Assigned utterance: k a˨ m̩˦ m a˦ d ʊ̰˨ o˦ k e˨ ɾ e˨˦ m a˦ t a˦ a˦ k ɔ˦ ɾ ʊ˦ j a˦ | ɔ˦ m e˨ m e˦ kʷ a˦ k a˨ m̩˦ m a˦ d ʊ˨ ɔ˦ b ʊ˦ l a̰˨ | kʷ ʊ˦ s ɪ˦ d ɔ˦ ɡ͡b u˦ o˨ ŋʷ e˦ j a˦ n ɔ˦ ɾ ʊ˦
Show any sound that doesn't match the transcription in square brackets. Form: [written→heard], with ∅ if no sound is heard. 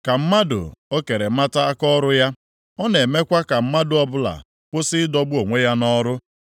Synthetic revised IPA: k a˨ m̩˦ m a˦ d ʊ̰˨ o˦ k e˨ ɾ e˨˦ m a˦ t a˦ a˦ k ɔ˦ ɾ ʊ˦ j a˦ | ɔ˦ [m→n] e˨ m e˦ kʷ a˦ k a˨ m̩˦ m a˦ d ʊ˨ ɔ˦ b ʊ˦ l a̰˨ | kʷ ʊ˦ s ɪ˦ d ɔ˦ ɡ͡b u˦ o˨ ŋʷ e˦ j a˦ n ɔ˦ ɾ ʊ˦